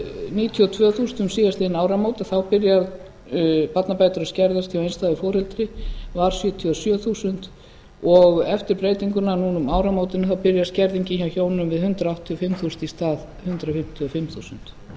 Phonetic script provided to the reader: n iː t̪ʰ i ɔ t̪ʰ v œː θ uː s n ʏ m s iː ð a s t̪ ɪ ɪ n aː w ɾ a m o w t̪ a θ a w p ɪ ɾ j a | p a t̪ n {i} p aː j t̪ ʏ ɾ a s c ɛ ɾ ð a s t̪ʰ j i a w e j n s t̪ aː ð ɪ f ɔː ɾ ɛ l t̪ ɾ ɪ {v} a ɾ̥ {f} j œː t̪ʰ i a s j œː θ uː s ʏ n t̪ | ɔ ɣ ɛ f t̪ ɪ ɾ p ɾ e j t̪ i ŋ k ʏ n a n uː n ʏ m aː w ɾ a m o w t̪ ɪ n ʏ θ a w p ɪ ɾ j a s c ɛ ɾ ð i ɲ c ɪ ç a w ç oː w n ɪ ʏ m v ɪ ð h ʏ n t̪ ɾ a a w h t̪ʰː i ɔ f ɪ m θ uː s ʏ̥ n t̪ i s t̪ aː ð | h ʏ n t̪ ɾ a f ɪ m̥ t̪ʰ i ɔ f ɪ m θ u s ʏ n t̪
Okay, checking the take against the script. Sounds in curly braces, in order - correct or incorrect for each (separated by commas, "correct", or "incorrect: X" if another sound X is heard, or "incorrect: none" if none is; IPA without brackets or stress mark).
incorrect: a, correct, incorrect: s